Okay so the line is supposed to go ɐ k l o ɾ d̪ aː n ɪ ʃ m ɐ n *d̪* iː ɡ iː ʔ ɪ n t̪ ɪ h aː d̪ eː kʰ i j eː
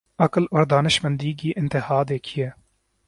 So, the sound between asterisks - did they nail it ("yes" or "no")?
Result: yes